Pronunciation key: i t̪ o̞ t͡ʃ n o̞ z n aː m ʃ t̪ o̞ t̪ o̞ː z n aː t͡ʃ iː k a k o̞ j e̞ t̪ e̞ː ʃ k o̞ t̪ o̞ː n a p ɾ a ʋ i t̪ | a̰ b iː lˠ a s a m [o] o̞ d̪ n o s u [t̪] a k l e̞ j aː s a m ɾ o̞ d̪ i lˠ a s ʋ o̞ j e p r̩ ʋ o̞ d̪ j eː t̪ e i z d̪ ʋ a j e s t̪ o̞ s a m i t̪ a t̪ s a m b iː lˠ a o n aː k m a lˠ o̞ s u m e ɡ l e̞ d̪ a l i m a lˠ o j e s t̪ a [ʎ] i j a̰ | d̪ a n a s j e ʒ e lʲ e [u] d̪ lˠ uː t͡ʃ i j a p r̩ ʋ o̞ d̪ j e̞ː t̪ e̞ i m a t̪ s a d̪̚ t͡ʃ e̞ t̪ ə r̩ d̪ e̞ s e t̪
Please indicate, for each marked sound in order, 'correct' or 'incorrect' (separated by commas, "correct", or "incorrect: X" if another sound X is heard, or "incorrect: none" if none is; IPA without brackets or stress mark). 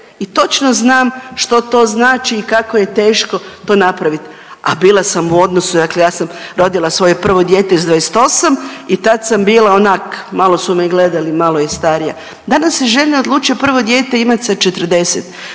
incorrect: u, incorrect: d̪, incorrect: ɾ, incorrect: o